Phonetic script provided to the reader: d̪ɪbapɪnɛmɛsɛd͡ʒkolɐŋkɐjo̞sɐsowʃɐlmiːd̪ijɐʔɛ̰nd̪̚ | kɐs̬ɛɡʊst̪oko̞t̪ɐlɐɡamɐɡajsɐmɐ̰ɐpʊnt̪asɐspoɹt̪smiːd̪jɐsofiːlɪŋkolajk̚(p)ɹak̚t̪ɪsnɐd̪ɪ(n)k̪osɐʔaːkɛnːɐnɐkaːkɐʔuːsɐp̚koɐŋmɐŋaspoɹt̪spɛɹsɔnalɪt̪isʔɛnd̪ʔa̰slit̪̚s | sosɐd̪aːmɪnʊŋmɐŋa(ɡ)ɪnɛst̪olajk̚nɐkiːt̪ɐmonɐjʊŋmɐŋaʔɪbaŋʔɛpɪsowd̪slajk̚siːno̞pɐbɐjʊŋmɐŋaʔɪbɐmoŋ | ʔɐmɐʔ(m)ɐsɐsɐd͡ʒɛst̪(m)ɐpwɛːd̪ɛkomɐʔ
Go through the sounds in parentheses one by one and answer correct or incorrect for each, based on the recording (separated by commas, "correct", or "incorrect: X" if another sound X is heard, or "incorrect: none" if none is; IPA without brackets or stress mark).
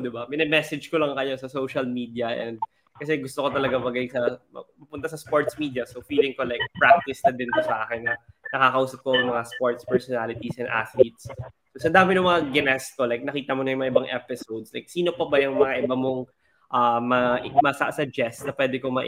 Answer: correct, correct, correct, correct, incorrect: n